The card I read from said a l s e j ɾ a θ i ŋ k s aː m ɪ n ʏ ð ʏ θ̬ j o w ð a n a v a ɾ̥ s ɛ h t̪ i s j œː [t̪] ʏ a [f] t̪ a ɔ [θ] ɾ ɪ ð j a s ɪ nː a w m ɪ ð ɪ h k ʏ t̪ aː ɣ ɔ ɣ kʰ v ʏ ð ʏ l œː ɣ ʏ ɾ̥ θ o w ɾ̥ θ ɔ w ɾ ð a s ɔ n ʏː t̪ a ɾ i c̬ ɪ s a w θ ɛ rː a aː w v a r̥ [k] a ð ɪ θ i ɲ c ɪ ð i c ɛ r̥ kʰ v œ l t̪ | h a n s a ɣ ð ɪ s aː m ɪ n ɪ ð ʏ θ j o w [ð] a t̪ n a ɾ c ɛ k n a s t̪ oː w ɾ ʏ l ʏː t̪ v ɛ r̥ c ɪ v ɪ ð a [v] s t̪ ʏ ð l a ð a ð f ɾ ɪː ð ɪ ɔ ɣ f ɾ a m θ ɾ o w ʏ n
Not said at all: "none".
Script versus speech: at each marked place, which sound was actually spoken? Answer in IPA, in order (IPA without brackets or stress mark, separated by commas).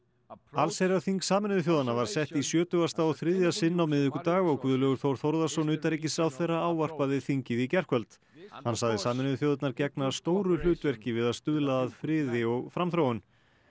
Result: t̪, s, θ, p, ð, ð